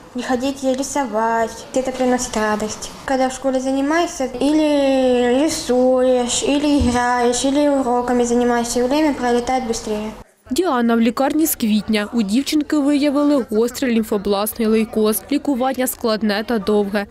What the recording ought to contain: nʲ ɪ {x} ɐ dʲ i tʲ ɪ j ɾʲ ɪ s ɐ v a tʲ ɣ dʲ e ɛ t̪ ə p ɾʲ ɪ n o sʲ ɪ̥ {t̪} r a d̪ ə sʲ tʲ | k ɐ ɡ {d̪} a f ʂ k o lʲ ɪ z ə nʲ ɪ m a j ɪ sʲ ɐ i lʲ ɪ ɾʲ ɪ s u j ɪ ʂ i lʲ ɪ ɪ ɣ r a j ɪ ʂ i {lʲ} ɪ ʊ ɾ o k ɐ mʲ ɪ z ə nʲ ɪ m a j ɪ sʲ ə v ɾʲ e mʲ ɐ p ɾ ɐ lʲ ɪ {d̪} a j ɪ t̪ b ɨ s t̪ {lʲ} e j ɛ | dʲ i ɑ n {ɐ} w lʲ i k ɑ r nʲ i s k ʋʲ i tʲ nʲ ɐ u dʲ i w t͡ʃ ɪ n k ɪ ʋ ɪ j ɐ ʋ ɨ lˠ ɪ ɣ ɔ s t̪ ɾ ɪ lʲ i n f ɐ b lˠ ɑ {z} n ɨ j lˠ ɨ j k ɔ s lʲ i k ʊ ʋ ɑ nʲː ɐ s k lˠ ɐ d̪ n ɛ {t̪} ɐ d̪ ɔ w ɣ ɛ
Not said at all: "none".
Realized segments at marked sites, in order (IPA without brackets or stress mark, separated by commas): x, t̪, d̪, lʲ, t̪, ɾʲ, ɐ, s, t̪